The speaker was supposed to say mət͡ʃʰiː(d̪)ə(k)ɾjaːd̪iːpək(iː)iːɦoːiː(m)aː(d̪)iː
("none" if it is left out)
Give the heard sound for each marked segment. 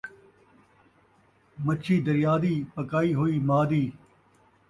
d̪, none, aː, m, d̪

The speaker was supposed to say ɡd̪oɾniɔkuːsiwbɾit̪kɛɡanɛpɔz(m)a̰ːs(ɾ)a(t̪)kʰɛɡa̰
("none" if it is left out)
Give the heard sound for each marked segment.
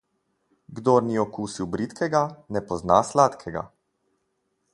n, l, t̪

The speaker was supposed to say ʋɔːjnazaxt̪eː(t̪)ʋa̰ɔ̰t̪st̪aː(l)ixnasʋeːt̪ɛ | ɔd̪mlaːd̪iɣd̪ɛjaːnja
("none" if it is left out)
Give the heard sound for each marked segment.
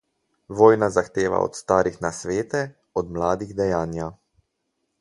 none, ɾ

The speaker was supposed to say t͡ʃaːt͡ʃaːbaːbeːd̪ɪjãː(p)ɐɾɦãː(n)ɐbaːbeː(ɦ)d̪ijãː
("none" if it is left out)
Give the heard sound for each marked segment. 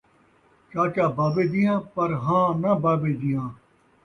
p, n, none

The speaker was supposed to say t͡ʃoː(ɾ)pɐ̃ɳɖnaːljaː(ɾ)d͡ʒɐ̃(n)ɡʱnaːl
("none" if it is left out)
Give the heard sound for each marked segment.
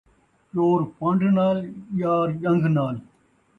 ɾ, ɾ, ŋ

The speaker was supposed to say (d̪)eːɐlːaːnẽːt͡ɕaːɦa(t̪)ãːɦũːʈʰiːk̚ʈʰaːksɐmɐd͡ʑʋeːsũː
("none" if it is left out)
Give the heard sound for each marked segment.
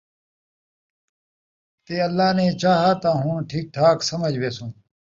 t̪, t̪

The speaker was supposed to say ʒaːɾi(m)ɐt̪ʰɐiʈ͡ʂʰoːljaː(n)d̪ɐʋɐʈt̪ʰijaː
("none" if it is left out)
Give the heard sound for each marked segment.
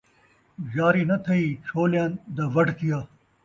n, n

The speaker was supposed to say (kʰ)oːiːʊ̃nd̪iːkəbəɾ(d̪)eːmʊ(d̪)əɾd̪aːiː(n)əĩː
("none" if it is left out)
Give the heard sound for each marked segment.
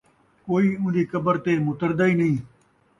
k, t̪, t̪, n

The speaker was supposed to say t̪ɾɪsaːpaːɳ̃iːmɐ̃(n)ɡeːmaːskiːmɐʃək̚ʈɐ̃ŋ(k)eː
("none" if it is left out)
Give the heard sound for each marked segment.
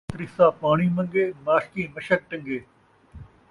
ŋ, ɡ

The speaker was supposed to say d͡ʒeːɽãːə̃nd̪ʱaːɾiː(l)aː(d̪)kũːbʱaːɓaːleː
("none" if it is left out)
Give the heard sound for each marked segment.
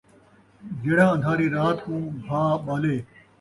ɾ, t̪

